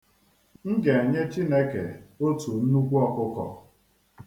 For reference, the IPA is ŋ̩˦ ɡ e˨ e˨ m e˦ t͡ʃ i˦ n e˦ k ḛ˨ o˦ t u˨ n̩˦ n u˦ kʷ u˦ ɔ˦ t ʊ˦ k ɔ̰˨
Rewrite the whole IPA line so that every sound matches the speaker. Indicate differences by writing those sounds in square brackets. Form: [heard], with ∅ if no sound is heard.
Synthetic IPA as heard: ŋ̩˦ ɡ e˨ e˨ [ɲ] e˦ t͡ʃ i˦ n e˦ k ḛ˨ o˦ t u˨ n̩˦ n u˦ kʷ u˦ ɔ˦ [k] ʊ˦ k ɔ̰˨